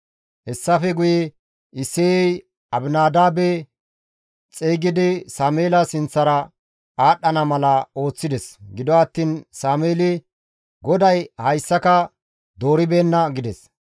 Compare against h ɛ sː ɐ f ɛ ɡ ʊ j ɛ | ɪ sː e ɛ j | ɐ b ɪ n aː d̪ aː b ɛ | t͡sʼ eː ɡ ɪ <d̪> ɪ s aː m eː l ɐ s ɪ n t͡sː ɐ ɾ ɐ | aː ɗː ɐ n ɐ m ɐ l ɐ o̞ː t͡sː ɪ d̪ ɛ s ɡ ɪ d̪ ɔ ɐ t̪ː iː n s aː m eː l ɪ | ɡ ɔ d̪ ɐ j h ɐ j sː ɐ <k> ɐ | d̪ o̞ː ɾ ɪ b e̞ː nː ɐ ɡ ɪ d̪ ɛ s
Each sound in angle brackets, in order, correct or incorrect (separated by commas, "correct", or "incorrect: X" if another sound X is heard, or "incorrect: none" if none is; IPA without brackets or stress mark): correct, correct